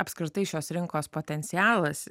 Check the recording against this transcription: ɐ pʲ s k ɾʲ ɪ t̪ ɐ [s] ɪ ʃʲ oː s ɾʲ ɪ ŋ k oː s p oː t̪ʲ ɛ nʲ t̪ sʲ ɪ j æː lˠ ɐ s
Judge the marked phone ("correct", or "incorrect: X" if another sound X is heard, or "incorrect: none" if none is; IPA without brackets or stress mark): incorrect: none